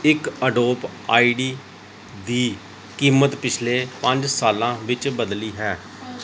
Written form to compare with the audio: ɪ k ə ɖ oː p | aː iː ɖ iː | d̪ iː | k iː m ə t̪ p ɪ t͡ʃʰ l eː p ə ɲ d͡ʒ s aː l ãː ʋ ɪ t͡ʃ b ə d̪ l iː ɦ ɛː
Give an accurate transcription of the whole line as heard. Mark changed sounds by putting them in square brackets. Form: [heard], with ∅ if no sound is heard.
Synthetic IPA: ɪ k ə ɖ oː p | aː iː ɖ iː | d̪ iː | k iː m ə t̪ p ɪ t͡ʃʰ l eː p ə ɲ d͡ʒ s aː l ãː ʋ ɪ t͡ʃ b ə d̪ l iː ɦ ɛː